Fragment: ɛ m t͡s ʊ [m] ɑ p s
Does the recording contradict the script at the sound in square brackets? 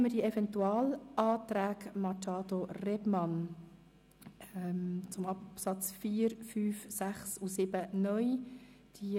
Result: no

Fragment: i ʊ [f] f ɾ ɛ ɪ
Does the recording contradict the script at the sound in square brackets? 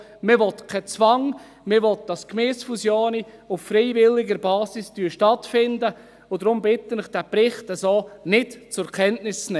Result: no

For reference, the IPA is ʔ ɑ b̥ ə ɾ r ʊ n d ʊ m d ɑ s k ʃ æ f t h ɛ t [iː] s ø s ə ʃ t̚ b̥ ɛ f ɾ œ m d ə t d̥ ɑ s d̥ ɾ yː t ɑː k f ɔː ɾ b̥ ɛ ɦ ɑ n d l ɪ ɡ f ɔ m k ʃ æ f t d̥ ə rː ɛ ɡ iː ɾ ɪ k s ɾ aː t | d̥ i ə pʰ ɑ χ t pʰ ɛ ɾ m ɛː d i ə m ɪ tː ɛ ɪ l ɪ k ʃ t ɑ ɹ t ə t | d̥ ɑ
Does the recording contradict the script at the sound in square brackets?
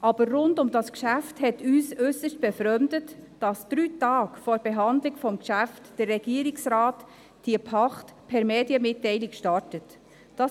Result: yes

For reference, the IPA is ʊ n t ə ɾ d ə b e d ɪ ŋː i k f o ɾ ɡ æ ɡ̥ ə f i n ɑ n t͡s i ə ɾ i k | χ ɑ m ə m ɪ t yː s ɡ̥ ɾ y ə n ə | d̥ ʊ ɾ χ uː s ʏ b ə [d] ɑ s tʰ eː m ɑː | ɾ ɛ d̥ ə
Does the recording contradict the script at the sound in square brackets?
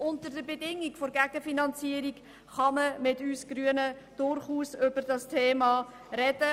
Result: no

